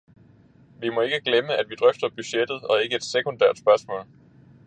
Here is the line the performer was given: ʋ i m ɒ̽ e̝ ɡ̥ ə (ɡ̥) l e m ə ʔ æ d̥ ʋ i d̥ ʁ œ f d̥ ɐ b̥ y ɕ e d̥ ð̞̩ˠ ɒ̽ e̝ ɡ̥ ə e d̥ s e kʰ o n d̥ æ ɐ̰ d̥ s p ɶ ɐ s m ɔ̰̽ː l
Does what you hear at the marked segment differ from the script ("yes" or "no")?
no